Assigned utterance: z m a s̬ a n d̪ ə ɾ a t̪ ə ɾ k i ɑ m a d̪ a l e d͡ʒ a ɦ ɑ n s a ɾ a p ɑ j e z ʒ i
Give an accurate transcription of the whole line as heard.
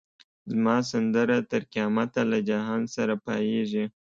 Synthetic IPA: z m ɑ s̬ a n d̪ ə ɾ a t̪ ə ɾ k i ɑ m a t̪ a l a d͡ʒ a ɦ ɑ n s a ɾ a p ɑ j e ʒ i